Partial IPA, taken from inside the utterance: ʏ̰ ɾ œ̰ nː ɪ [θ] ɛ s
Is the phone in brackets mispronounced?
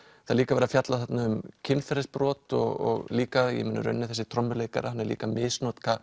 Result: no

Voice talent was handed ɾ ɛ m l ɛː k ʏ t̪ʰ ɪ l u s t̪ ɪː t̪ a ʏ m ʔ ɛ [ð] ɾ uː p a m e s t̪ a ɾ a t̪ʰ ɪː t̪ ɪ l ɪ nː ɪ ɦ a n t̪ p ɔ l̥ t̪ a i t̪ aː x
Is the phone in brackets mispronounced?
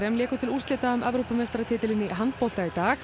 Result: yes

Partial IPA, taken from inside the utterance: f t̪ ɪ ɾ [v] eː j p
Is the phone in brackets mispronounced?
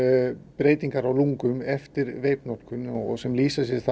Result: no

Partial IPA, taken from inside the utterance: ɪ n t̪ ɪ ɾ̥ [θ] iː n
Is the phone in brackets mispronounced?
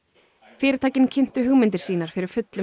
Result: yes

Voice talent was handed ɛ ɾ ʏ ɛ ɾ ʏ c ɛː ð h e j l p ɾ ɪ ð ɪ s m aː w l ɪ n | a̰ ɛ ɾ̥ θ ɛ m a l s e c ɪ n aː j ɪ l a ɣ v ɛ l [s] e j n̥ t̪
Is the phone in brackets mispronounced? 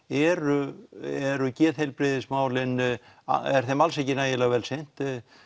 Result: no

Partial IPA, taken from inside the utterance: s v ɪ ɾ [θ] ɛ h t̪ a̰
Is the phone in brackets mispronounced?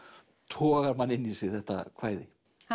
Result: no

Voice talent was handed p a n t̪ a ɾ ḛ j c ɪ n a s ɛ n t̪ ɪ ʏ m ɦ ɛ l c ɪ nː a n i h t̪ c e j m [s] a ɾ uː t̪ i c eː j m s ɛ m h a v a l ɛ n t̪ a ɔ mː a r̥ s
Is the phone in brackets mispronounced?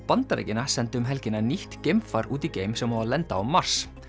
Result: yes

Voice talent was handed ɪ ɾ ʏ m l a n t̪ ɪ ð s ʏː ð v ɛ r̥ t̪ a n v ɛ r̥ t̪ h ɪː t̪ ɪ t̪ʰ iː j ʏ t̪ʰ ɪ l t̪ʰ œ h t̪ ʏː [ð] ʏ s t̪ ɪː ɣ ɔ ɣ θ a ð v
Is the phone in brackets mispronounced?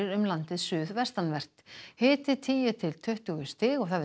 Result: yes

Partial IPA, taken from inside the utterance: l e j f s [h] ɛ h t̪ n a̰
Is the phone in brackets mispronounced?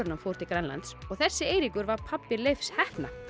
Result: no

